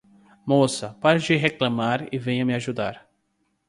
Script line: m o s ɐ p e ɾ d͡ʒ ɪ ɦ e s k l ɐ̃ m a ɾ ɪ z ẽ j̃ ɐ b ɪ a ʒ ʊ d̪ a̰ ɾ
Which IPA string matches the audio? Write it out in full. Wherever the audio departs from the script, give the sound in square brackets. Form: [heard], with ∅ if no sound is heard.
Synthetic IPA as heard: m o s ɐ p [a] ɾ d͡ʒ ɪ ɦ e [∅] k l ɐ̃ m a ɾ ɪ [v] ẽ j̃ ɐ [m] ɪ a ʒ [u] d̪ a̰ ɾ